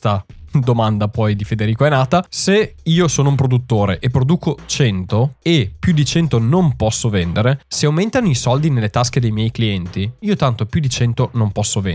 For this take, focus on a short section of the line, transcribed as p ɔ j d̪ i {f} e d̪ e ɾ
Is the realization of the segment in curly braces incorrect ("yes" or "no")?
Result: no